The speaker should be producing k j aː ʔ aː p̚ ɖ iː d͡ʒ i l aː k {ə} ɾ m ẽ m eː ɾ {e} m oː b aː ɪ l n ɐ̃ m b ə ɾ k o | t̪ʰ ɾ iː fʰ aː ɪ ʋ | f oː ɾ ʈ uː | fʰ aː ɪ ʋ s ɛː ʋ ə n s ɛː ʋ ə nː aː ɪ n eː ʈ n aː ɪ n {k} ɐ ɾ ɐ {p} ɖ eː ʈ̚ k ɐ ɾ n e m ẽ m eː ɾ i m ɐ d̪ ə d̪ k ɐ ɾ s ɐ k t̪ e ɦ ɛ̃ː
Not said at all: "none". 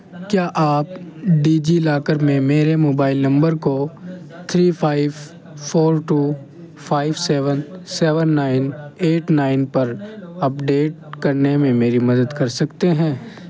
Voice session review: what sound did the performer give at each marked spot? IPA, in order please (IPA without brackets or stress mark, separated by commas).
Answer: ə, e, p, p